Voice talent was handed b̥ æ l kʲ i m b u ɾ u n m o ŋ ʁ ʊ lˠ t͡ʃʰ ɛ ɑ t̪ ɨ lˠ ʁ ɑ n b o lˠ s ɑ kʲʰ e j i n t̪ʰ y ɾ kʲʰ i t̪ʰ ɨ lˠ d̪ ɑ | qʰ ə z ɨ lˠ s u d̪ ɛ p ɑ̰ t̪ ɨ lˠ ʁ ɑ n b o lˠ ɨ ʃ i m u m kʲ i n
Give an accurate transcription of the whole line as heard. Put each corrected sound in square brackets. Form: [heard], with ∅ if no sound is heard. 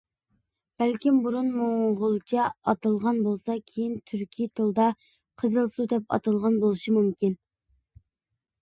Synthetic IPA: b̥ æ l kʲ i m b u ɾ u n m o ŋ ʁ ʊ lˠ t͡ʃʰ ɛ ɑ t̪ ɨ lˠ ʁ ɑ n b o lˠ s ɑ kʲʰ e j i n t̪ʰ y ɾ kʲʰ i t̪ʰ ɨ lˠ d̪ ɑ | qʰ ə z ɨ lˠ s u d̪ ɛ p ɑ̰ t̪ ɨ lˠ ʁ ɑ n b o lˠ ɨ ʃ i m u m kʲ i n